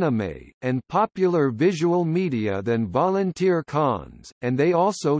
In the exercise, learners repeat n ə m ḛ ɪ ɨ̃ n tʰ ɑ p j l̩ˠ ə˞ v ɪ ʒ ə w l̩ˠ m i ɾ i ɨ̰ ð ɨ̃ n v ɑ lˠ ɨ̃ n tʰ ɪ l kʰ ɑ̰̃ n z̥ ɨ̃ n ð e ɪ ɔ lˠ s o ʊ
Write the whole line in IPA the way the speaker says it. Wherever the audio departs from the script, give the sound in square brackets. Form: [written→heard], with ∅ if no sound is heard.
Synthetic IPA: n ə m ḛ ɪ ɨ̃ n [tʰ→pʰ] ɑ p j l̩ˠ ə˞ v ɪ ʒ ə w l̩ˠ m i ɾ i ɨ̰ ð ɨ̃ n v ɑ lˠ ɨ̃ n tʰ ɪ [l→ɹ] kʰ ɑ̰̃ n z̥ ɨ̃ n ð e ɪ ɔ lˠ s o ʊ